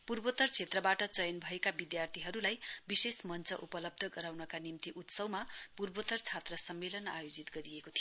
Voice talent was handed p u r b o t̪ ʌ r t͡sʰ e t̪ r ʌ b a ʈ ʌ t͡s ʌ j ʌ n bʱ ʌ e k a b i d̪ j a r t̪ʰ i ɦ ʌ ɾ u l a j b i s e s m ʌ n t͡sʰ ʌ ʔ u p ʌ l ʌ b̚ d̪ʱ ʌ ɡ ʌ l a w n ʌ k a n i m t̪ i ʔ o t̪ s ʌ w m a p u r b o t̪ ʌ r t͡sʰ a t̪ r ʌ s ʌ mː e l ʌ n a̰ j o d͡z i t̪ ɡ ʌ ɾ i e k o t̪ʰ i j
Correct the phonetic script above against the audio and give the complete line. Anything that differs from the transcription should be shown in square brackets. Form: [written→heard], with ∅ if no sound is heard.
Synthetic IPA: p u r b o t̪ ʌ r t͡sʰ e t̪ r ʌ b a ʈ ʌ t͡s ʌ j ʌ n bʱ ʌ e k a b i d̪ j a r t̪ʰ i ɦ ʌ ɾ u l a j b i s e s m ʌ n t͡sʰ ʌ ʔ u p ʌ l ʌ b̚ d̪ʱ ʌ ɡ ʌ [l→ɾ] a w n ʌ k a n i m t̪ i ʔ [o→u] t̪ s ʌ w m a p u r b o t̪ ʌ r t͡sʰ a t̪ r ʌ s ʌ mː e l ʌ n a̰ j o d͡z i t̪ ɡ ʌ ɾ i e k o t̪ʰ i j